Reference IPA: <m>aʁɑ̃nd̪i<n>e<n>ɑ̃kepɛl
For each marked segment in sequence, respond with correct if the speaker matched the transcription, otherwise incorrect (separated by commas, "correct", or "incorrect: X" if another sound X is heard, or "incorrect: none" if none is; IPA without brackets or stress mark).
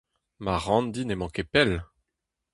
correct, correct, incorrect: m